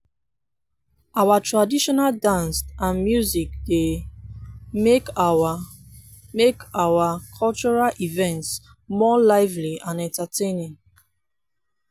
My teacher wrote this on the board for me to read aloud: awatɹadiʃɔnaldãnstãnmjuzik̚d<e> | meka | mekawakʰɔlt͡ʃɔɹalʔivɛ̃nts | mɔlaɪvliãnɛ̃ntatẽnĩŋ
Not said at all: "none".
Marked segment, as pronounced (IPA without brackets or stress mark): e